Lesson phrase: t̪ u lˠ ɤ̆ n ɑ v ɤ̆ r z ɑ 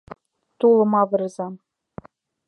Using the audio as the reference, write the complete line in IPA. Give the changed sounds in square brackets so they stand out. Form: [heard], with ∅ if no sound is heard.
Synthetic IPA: t̪ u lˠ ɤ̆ [m] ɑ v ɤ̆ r z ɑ